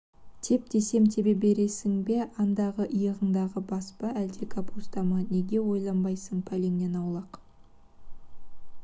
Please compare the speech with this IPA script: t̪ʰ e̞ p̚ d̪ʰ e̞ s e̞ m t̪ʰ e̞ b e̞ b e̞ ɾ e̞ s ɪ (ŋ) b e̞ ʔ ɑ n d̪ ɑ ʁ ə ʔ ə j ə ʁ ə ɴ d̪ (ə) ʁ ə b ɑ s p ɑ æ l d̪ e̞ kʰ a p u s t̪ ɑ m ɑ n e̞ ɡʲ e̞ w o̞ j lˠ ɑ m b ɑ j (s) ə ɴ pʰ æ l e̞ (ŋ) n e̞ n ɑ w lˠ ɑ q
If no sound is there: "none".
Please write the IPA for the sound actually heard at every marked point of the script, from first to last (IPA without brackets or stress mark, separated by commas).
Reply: ŋ, ɑ, s, ŋ